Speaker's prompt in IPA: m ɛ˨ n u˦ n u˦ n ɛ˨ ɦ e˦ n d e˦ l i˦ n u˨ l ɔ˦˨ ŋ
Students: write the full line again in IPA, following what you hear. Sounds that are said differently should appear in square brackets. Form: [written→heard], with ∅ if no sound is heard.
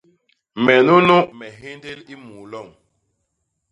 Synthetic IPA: m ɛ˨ n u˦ n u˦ [n→m] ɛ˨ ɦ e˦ n d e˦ l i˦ [n→m] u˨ l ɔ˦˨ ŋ

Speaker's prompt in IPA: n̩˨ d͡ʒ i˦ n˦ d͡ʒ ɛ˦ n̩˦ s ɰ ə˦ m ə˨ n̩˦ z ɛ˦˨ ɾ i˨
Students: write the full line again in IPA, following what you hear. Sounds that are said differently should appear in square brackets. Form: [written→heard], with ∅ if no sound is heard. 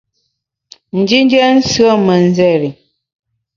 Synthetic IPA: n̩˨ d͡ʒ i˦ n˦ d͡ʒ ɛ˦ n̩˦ s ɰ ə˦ m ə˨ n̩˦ z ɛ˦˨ ɾ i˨

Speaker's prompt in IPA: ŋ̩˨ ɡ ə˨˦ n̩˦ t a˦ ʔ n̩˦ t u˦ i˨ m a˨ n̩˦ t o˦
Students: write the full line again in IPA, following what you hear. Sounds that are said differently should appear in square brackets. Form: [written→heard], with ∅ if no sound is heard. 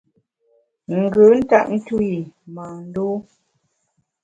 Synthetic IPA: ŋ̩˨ ɡ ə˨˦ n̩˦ t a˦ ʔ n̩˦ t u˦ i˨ m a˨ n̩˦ [t→d] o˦

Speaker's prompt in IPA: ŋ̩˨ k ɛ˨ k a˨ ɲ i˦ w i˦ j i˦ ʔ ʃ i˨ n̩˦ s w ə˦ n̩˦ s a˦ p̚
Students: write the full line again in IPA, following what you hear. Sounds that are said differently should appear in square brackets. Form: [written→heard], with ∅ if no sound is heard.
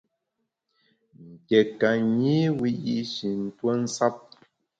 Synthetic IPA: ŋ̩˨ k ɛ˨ k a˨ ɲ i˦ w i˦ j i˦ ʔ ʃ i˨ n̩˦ [s→t] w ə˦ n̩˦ s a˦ p̚

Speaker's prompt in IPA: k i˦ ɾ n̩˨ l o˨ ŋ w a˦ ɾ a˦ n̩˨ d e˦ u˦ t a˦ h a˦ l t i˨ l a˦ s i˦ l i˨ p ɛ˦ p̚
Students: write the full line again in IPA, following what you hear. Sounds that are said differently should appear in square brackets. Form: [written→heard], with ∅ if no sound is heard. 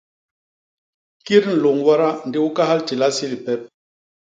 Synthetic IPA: k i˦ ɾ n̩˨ l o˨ ŋ w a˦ ɾ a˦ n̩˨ d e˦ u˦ [t→k] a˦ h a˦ l t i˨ l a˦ s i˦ l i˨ p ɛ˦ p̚

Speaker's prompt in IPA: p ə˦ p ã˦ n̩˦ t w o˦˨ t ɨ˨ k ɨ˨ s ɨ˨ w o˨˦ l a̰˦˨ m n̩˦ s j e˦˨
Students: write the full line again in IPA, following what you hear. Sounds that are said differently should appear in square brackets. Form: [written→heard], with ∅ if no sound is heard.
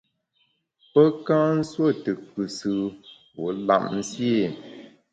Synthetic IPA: p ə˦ [p→k] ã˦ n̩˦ [t→s] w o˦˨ t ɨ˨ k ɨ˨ s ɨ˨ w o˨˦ l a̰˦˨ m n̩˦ s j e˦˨

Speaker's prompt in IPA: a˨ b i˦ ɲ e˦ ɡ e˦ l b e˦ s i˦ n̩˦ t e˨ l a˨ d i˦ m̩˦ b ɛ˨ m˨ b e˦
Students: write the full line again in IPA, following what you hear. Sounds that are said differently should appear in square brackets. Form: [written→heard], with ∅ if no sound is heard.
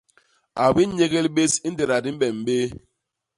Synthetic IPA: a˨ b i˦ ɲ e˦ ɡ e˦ l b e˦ s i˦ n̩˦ [t→d] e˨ [l→ɾ] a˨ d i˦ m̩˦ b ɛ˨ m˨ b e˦

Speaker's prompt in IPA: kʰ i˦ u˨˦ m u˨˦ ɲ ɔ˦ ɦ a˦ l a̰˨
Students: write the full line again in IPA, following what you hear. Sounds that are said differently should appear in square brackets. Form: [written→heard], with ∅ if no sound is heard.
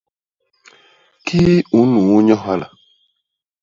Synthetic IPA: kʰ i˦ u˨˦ [m→n] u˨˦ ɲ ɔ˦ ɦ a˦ l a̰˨

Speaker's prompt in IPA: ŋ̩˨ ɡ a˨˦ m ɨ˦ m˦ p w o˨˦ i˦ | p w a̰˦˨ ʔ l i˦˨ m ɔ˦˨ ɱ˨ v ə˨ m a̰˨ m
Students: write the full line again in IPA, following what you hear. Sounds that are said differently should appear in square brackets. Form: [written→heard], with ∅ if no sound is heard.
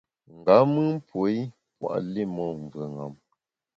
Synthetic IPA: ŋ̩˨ ɡ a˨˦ m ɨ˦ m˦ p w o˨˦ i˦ | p w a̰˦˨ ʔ l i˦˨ m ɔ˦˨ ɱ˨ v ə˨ [m→ŋ] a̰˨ m

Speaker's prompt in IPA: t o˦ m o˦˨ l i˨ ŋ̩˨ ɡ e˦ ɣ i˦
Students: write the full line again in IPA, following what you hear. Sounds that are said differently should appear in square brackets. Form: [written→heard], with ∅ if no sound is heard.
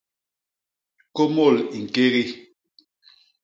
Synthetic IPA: [t→k] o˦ m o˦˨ l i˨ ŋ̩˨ [ɡ→k] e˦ ɣ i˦

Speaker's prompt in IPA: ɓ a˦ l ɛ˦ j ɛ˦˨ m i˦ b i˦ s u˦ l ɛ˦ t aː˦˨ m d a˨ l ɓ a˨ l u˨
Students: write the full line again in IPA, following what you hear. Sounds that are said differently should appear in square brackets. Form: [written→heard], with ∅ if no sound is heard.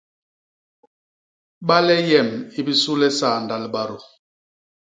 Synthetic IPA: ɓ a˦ l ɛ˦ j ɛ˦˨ m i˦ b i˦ s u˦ l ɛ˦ [t→s] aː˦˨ [m→n] d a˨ l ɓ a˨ [l→ɾ] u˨

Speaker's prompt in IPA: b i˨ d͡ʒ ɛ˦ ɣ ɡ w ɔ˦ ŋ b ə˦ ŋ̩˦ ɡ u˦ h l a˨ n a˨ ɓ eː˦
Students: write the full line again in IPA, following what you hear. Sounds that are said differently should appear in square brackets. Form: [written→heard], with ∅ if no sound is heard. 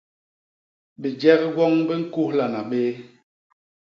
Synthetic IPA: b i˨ d͡ʒ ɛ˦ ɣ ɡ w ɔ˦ ŋ b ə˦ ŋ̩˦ [ɡ→k] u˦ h l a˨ n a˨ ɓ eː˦

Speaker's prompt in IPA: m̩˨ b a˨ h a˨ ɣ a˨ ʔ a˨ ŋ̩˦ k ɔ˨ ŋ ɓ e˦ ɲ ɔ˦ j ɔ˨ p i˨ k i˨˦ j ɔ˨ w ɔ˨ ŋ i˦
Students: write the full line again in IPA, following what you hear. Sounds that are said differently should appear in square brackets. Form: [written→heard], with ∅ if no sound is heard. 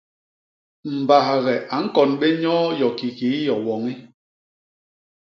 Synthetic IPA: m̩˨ b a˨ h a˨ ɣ [a˨→ɛ˨] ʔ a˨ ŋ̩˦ k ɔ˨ [ŋ→n] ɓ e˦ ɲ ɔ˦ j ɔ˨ [p→k] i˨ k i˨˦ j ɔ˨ w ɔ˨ ŋ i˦

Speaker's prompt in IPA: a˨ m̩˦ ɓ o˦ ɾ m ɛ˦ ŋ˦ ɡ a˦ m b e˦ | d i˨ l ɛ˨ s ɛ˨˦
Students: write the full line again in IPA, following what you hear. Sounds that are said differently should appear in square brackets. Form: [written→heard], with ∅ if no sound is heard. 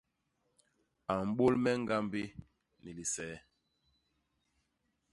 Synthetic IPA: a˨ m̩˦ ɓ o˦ [ɾ→l] m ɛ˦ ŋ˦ ɡ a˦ m b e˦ | [d→n] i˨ l [ɛ˨→i˨] s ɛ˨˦

